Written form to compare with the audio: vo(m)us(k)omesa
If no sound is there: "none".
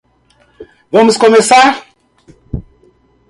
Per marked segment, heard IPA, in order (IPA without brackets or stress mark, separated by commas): m, k